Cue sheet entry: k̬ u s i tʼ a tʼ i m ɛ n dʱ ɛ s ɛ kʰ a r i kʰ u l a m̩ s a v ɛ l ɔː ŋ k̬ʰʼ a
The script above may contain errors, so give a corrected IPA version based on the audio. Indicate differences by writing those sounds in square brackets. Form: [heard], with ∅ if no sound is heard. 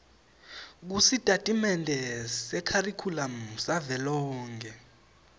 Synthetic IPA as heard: k̬ u s i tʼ a tʼ i m ɛ n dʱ ɛ s ɛ kʰ a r i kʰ u l a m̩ s a v ɛ l ɔː ŋ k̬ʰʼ [ɛ]